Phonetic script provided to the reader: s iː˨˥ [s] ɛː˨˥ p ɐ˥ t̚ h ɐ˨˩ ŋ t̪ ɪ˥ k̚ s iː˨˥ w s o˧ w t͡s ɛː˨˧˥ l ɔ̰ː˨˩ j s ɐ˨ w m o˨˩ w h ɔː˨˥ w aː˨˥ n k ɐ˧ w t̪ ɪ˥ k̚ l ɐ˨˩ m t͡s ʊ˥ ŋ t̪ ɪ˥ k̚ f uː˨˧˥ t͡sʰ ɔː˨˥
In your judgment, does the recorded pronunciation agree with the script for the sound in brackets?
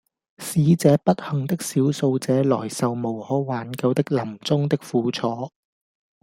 no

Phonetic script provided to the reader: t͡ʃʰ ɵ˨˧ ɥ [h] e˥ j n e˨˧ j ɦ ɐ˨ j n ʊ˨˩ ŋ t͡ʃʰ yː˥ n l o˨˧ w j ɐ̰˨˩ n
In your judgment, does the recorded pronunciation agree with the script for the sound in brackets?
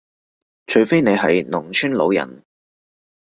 no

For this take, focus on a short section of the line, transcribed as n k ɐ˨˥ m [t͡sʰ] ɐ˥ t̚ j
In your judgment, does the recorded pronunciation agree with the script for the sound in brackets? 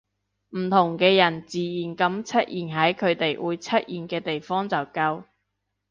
yes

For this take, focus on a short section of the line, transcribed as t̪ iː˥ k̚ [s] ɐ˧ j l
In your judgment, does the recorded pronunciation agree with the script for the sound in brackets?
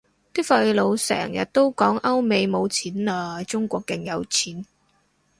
no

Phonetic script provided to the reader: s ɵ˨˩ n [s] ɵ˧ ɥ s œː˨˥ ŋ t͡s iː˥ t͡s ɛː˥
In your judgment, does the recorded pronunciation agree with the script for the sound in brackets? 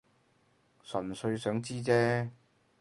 yes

